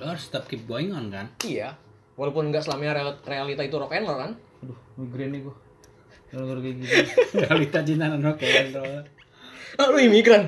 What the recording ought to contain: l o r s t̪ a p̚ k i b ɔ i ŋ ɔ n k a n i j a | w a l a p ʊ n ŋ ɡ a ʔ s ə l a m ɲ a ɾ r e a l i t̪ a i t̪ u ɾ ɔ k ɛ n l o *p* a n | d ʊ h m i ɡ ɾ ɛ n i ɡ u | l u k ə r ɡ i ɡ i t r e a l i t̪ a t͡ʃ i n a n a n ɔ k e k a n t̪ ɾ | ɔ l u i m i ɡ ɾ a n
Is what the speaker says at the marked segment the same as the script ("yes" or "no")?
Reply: no